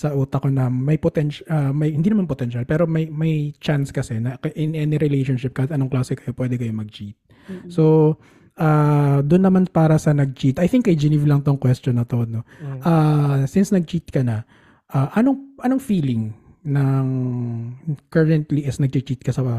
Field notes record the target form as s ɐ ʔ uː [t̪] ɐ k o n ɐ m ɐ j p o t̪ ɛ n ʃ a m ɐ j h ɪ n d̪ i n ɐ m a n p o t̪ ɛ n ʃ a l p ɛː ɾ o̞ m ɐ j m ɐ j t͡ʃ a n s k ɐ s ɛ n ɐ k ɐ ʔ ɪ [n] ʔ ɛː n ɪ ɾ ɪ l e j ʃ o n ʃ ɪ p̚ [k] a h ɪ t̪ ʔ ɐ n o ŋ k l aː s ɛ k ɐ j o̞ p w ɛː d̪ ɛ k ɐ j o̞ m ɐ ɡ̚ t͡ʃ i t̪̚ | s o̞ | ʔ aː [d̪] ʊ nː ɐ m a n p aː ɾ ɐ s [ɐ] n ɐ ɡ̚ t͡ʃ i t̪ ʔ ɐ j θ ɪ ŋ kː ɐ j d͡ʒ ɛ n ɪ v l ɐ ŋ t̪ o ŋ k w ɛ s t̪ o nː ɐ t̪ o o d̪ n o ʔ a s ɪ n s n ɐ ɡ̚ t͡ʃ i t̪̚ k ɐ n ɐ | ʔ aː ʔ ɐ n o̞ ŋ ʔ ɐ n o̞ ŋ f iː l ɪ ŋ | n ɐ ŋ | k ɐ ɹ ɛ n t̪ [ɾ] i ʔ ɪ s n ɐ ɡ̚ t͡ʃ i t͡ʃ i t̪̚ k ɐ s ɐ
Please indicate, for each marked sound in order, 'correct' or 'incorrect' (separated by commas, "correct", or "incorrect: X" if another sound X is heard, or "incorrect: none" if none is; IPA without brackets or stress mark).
correct, correct, correct, correct, correct, incorrect: l